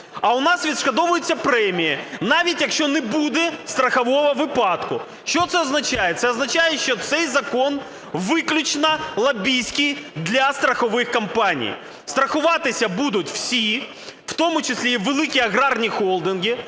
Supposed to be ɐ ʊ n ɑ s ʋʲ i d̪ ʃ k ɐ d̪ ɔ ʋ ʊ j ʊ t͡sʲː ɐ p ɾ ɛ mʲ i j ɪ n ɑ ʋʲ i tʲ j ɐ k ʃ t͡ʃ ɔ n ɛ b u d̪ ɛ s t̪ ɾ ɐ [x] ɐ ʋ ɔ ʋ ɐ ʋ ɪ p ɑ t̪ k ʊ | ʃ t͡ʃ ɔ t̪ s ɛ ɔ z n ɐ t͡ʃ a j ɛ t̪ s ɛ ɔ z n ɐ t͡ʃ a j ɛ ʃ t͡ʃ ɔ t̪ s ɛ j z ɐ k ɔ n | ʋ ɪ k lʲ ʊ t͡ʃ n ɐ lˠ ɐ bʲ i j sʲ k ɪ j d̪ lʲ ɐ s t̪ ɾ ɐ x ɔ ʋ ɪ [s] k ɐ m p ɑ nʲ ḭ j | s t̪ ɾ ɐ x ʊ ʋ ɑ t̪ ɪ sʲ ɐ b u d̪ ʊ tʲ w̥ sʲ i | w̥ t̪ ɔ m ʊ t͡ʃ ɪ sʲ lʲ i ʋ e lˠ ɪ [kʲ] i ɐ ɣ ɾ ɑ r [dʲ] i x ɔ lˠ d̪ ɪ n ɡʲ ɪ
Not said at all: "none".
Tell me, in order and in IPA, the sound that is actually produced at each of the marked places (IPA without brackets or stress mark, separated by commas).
x, x, kʲ, nʲ